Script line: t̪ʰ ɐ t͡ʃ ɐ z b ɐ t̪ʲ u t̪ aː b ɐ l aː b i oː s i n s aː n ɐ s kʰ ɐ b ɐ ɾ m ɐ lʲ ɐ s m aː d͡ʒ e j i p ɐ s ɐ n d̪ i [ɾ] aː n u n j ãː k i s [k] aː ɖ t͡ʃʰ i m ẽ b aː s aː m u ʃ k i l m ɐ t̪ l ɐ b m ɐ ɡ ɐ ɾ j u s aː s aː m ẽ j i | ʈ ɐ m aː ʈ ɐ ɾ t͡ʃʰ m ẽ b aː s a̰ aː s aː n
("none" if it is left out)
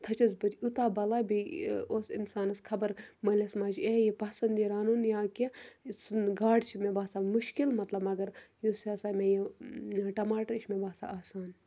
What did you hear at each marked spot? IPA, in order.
ɾ, ɡ

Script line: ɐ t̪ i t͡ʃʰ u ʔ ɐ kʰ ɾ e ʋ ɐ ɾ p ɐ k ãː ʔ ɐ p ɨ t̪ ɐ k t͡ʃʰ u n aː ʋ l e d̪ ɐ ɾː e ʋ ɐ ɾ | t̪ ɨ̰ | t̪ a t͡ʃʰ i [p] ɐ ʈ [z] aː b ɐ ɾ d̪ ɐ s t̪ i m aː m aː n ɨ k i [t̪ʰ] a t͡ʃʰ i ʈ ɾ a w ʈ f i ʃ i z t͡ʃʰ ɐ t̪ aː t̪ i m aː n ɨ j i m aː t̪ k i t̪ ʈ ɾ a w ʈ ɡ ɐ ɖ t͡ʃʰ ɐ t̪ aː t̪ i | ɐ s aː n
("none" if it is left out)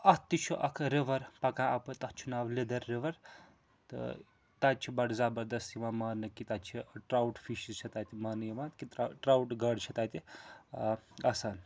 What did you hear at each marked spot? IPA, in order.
b, z, t̪

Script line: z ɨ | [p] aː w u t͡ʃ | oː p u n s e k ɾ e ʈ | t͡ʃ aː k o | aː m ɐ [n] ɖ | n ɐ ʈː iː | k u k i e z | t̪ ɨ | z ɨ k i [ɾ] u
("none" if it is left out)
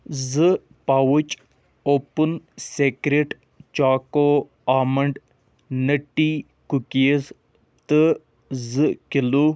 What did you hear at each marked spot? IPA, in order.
p, ɳ, l

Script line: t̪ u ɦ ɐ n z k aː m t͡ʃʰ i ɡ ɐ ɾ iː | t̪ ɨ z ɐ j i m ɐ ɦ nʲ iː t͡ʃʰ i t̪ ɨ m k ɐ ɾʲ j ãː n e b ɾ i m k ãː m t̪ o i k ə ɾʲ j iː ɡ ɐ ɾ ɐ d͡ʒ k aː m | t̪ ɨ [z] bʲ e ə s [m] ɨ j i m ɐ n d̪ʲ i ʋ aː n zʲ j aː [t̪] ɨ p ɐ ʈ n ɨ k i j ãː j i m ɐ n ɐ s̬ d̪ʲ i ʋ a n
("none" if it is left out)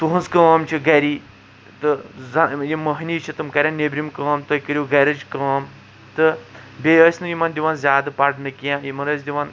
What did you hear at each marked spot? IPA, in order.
none, n, d̪

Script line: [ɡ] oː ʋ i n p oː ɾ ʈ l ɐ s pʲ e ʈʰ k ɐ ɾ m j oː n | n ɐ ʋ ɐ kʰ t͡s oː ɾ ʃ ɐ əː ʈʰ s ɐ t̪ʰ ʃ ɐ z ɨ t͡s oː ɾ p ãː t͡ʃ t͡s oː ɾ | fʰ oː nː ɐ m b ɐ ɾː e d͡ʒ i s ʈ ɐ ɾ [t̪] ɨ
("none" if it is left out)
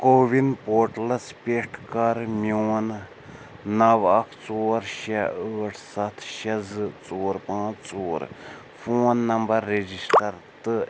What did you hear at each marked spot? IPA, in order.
k, t̪

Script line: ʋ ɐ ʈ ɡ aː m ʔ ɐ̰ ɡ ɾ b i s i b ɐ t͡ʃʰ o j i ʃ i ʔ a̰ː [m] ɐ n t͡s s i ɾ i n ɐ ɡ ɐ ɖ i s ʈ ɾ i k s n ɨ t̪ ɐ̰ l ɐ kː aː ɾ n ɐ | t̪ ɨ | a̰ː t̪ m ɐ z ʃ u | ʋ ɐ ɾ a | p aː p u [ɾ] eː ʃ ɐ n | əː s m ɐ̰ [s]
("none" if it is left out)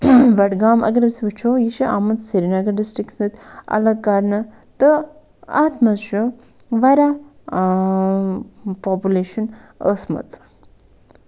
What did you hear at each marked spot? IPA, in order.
m, l, t͡s

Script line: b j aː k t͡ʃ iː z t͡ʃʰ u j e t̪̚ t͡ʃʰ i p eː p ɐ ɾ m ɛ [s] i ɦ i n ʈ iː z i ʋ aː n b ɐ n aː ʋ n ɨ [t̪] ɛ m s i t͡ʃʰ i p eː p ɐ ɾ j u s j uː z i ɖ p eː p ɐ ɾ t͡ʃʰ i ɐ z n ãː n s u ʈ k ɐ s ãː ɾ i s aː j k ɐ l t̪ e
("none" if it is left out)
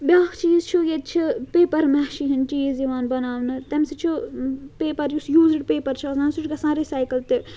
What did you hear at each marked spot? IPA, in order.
ʃ, t̪

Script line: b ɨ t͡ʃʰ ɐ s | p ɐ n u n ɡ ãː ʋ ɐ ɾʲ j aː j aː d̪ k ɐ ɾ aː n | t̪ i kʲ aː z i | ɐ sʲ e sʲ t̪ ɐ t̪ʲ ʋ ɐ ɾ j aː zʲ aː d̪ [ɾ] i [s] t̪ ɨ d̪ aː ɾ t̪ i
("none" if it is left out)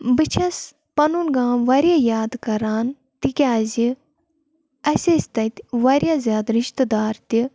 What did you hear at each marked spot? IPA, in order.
ɾ, ʃ

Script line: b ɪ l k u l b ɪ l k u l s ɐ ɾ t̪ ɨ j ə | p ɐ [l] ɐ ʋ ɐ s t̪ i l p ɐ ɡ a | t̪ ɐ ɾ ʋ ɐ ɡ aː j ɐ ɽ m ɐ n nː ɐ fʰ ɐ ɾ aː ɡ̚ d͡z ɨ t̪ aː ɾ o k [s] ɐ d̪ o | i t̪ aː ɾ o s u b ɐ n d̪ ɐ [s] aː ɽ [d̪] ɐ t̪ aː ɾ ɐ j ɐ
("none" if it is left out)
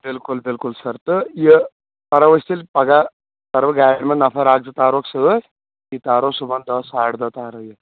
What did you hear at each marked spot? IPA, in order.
ɾ, s, s, d̪

